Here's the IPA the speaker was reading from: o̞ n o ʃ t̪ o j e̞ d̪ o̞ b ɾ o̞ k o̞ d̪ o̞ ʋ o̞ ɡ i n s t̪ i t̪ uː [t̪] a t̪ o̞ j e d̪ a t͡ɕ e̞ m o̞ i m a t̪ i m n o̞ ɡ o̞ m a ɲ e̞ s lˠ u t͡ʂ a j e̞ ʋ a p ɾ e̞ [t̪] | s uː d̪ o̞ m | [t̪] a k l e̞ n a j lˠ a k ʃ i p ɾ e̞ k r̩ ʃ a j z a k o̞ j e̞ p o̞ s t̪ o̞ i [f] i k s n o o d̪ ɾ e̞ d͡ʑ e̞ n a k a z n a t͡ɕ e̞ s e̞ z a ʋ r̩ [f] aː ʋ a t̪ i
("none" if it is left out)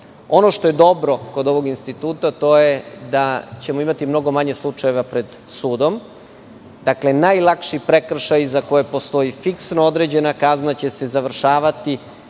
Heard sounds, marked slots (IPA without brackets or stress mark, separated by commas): t̪, d̪, d̪, f, ʃ